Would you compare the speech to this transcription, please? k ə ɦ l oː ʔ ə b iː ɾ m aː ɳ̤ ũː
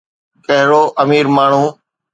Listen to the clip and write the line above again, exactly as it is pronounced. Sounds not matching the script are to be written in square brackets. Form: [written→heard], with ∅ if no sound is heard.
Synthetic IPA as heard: k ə ɦ [l→ɾ] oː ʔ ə [b→m] iː ɾ m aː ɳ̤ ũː